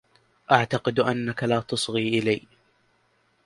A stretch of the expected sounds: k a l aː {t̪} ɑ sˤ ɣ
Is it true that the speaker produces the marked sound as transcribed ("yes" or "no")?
yes